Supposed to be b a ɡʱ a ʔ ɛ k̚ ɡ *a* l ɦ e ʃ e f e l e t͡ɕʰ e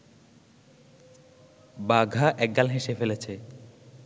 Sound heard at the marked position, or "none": a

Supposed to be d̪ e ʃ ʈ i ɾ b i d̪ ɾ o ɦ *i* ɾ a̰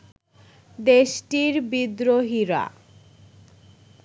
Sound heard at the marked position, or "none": i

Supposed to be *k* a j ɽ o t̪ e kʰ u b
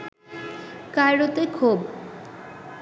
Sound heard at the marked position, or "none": k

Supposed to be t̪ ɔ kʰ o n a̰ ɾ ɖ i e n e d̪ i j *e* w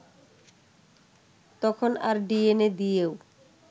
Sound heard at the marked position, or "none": e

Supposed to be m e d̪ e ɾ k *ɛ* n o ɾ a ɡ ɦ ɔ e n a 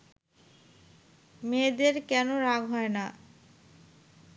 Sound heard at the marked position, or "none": ɛ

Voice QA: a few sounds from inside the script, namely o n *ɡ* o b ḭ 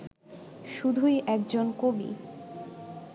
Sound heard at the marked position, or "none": k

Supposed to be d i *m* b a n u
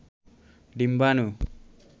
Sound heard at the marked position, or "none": m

